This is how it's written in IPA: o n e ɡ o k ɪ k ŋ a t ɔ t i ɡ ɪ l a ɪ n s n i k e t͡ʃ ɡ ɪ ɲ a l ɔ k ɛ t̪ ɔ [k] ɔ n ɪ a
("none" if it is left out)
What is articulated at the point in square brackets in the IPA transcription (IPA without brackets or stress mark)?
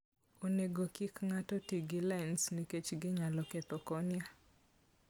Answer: k